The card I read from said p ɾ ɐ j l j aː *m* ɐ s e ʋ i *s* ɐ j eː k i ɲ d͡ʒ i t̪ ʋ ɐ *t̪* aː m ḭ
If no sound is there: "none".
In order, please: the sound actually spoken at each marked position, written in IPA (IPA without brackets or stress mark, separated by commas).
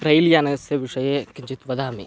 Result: n, ʂ, d̪